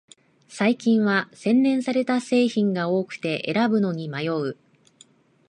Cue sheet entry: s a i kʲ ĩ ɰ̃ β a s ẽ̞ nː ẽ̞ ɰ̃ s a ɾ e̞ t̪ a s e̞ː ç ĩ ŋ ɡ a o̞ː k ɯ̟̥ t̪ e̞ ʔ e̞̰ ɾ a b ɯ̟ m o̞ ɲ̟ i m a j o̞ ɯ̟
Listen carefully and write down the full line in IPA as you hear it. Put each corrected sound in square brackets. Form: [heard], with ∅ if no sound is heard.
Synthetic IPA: s a i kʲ ĩ ɰ̃ β a s ẽ̞ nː ẽ̞ ɰ̃ s a ɾ e̞ t̪ a s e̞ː ç ĩ ŋ ɡ a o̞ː k ɯ̟̥ t̪ e̞ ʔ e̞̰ ɾ a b ɯ̟ [n] o̞ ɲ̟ i m a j o̞ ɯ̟